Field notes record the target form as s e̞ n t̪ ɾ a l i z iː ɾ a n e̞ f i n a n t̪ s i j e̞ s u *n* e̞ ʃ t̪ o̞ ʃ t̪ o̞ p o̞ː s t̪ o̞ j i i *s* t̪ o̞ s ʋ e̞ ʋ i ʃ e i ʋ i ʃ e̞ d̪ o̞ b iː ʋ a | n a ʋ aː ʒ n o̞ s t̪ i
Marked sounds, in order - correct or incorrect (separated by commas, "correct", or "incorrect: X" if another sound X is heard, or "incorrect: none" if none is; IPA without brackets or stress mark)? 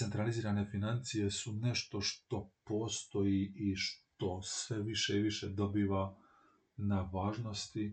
correct, incorrect: ʃ